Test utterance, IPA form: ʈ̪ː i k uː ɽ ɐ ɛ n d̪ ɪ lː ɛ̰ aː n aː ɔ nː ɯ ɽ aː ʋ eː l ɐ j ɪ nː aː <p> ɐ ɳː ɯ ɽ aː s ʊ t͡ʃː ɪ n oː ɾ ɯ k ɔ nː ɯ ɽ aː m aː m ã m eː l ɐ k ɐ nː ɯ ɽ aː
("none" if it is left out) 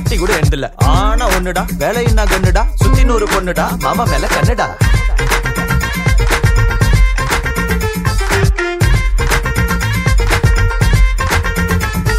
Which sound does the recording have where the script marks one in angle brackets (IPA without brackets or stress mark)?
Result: k